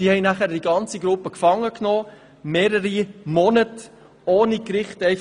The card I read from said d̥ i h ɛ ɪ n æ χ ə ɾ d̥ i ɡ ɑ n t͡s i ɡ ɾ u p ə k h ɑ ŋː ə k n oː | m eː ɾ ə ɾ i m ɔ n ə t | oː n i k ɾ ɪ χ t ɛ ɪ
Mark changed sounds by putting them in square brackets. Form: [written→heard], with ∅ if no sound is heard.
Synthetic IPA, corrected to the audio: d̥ i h ɛ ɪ n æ χ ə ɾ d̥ i ɡ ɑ n t͡s i ɡ ɾ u p ə k [h→f] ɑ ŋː ə k n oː | m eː ɾ ə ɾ i m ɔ n ə t | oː n i k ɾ ɪ χ t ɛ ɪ